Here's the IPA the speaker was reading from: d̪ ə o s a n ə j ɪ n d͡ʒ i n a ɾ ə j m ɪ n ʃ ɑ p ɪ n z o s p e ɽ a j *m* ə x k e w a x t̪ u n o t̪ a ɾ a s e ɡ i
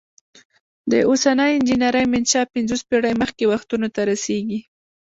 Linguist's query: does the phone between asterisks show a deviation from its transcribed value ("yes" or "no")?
no